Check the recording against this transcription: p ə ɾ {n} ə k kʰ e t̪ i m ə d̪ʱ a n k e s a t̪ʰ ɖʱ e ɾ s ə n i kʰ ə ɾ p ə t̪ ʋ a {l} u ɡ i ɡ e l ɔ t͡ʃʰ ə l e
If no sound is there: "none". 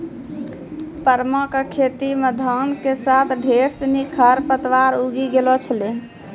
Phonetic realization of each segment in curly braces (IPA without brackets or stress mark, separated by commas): m, ɾ